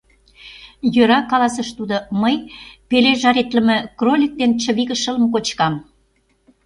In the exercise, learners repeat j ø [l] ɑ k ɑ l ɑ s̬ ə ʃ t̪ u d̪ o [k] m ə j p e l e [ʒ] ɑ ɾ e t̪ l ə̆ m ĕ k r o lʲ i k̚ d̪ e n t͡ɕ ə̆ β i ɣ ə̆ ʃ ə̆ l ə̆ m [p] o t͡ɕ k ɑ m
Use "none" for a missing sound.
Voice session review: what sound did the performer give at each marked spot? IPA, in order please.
ɾ, none, ʒ, k

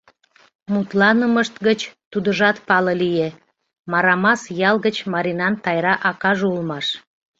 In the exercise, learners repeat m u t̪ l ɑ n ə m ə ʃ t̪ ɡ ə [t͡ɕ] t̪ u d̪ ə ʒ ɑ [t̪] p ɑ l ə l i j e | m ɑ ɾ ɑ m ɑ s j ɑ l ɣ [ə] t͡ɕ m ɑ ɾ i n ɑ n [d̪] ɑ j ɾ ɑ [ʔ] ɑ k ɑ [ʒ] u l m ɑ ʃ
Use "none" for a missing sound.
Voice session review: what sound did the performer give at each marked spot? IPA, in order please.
t͡ɕ, t̪, ə, t̪, ʔ, ʒ

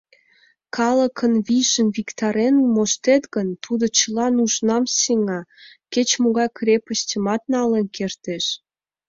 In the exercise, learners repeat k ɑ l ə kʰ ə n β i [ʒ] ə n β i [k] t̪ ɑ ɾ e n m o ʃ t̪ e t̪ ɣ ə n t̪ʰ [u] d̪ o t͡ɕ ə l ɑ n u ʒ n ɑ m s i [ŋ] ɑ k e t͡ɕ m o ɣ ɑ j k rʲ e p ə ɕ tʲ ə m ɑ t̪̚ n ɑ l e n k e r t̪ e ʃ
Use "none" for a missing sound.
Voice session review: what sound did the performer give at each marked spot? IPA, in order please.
ʒ, k, u, ŋ

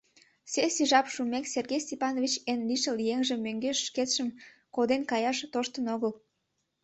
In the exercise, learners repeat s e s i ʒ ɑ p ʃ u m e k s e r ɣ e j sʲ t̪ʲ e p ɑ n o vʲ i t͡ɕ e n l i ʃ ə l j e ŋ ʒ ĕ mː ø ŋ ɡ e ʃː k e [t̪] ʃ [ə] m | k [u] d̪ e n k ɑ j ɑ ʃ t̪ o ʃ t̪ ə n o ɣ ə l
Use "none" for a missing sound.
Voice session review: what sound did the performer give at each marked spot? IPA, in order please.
t̪, ə, o

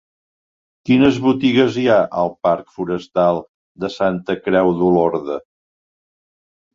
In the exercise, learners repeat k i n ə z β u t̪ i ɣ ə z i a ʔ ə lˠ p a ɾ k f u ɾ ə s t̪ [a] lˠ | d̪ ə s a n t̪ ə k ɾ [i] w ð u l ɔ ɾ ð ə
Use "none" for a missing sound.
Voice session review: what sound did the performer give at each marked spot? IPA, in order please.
a, ɛ

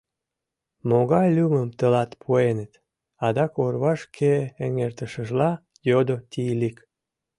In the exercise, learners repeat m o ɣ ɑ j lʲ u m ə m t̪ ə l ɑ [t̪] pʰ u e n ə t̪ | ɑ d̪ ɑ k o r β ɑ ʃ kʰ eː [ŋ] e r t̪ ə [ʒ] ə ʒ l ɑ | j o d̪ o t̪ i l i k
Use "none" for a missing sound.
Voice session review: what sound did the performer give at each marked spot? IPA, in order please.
t̪, ŋ, ʃ

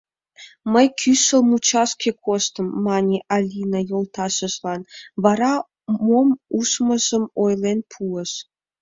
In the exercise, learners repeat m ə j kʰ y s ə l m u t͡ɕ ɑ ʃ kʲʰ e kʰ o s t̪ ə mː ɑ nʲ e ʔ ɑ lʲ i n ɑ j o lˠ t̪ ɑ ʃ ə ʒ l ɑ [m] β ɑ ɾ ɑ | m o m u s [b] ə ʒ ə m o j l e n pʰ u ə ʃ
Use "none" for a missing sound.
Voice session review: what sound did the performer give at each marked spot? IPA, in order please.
n, m

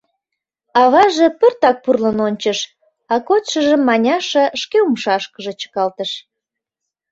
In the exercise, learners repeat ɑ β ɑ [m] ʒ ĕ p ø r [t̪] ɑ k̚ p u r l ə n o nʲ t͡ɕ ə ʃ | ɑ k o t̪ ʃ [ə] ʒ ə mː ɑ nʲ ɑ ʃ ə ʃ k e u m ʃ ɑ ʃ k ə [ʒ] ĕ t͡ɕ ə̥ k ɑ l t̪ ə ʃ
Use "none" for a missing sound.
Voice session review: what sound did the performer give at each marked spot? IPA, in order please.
none, t̪, ə, ʒ

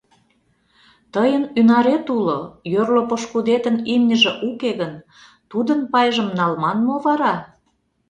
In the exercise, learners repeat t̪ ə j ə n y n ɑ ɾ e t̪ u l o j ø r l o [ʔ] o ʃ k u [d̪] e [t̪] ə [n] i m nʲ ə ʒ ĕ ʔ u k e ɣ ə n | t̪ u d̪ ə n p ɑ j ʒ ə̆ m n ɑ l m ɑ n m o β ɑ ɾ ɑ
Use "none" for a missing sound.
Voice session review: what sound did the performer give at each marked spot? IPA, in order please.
p, d̪, t̪, n

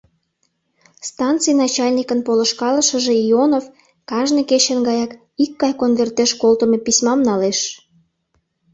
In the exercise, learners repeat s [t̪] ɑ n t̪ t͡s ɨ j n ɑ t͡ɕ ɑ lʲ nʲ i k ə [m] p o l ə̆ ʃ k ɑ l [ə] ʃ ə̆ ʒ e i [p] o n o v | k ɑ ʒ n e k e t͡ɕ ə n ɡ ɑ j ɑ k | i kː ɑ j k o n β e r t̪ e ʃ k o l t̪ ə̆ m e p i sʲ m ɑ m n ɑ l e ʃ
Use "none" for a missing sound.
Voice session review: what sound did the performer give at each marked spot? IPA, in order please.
t̪, n, ə, none

